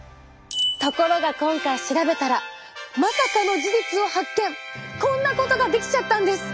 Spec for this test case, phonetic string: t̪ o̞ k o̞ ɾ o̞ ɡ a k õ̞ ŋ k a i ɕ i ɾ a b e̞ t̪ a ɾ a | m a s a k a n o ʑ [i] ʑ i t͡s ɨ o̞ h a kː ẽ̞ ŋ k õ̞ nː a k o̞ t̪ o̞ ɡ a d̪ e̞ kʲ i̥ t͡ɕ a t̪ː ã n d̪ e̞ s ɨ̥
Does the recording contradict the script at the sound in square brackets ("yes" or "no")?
no